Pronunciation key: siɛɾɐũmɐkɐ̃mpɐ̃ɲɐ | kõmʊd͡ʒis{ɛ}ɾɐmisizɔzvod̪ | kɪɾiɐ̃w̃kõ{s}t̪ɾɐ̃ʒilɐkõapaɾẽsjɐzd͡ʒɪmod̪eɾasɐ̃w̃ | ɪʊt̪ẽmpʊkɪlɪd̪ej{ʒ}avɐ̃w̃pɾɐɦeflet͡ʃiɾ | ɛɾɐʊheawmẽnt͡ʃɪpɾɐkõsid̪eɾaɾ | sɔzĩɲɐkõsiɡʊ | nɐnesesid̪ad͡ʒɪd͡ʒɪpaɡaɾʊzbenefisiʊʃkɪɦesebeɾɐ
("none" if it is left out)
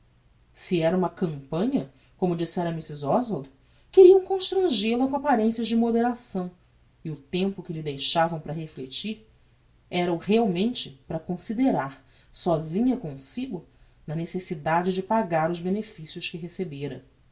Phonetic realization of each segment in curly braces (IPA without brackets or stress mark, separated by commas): ɛ, ʃ, ʃ